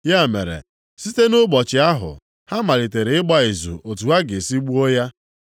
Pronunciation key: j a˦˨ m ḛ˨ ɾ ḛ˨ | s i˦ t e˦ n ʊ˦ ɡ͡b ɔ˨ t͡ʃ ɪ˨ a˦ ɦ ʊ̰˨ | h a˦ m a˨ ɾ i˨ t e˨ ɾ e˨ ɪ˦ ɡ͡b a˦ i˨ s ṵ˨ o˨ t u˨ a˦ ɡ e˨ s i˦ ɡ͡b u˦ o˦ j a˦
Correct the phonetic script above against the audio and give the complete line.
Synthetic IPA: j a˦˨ m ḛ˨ ɾ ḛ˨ | s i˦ t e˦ n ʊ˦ ɡ͡b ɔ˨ t͡ʃ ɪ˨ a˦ ɦ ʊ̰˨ | h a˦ m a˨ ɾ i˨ t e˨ ɾ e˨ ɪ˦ ɡ͡b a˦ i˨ z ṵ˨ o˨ t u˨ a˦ ɡ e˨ s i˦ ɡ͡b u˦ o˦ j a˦